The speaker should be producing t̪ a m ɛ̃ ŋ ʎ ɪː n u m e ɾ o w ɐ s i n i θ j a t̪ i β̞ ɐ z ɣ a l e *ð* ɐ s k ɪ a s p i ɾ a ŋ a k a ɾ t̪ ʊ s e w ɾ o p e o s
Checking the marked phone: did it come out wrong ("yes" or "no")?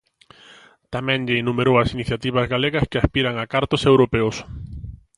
yes